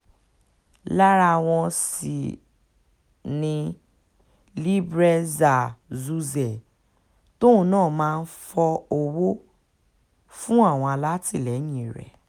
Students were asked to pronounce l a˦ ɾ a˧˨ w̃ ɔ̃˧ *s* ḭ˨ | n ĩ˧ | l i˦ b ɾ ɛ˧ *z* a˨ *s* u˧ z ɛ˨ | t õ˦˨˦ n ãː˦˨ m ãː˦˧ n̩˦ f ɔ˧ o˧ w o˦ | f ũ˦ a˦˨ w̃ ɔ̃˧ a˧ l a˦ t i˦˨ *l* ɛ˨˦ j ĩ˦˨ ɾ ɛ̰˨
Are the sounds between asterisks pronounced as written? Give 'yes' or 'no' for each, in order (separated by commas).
yes, yes, no, yes